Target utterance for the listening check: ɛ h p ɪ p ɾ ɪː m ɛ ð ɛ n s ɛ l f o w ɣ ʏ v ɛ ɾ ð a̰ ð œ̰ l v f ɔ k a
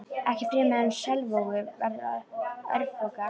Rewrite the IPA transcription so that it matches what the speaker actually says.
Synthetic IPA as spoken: ɛ h c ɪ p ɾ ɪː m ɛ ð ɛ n s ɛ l v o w ɣ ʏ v ɛ ɾ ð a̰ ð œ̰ ɾ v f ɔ k a

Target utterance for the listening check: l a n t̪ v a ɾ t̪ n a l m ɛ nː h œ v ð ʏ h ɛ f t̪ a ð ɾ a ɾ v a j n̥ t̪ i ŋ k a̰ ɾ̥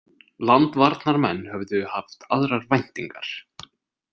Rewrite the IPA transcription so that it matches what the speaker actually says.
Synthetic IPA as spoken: l a n t̪ v a ɾ t̪ n a ɾ m ɛ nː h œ v ð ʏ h a f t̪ a ð ɾ a ɾ v a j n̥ t̪ i ŋ k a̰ ɾ̥

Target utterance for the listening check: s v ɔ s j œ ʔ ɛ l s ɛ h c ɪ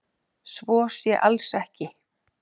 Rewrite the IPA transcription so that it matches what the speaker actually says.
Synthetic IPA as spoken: s v ɔː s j ɛ ʔ a l s ɛ h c ɪ

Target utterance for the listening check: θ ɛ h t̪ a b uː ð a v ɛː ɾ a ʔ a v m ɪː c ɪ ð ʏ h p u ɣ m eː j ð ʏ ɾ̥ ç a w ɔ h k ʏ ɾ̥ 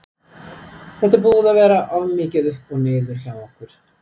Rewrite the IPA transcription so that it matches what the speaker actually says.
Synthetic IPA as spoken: θ ɛ h t̪ a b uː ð a v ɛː ɾ a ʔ a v m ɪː c ɪ ð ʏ h p ɔ ɣ n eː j ð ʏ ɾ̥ ç a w ɔ h k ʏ ɾ̥

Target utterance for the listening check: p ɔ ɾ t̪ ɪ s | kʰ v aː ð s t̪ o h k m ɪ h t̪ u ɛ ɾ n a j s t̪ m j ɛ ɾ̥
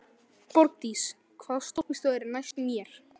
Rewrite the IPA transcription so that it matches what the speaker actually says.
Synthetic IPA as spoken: p ɔ ɾ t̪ i s | kʰ v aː ð s t̪ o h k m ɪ s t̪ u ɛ ɾ n a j s t̪ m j ɛ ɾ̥

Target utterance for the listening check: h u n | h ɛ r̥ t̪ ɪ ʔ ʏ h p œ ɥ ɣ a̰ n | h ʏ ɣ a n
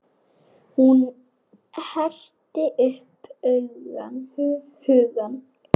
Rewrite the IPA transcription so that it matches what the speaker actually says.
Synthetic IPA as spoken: h u n | h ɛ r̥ t̪ ɪ ʔ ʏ h p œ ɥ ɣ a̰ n | h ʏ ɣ a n

